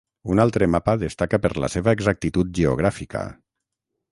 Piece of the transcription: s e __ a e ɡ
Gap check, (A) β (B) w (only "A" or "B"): A